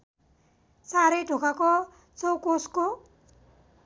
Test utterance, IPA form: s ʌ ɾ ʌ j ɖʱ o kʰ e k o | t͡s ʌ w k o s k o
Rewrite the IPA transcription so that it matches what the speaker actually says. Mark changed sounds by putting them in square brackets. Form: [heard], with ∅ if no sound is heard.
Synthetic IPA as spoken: s [a] ɾ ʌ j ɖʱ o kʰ [a] k o | t͡s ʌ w k o s k o

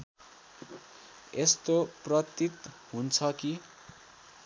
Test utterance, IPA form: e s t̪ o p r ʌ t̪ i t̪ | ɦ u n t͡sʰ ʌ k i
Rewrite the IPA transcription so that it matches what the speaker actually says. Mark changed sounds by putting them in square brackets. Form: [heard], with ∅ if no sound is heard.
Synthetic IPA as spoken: e s t̪ o p r ʌ t̪ i t̪ | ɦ u n t͡sʰ ʌ k i

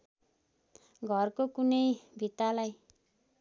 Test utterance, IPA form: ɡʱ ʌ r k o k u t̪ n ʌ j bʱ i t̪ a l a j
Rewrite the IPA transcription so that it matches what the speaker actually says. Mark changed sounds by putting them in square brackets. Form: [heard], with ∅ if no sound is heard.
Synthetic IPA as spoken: ɡʱ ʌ r k o k u [∅] n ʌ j bʱ i t̪ a l a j

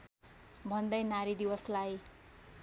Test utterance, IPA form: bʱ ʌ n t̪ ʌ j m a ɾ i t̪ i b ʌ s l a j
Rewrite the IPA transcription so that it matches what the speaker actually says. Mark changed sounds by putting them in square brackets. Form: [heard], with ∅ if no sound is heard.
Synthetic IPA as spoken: bʱ ʌ n [d̪] ʌ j [n] a ɾ i [d̪] i [w] ʌ s l a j

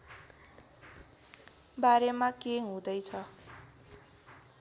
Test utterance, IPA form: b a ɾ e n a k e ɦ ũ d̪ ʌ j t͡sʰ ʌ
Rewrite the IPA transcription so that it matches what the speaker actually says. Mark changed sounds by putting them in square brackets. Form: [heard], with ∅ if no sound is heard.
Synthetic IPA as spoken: b a ɾ e [m] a k e ɦ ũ d̪ ʌ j t͡sʰ ʌ

